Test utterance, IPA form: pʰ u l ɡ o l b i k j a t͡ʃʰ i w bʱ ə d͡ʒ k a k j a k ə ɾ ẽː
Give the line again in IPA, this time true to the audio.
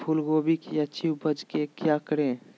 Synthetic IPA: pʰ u l ɡ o b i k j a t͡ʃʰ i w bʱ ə d͡ʒ k e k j a k ə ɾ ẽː